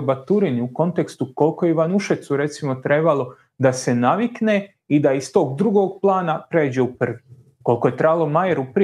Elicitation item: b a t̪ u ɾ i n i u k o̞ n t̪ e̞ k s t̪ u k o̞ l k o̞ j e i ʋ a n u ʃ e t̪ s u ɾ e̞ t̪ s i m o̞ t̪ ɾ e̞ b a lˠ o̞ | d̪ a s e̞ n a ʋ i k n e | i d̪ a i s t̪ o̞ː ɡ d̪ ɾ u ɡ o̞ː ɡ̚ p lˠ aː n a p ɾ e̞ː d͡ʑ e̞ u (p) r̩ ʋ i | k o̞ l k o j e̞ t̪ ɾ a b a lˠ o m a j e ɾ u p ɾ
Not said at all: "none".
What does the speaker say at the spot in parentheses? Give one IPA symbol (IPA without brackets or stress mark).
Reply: p